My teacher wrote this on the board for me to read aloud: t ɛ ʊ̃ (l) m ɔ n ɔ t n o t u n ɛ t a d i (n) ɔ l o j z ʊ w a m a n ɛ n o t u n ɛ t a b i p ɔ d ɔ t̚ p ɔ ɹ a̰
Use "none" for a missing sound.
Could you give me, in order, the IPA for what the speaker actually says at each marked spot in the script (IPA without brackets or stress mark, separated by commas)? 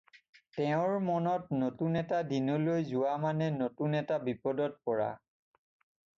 ɹ, n